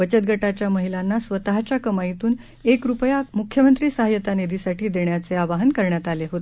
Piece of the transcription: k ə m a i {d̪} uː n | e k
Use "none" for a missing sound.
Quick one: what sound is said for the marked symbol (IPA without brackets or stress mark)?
t̪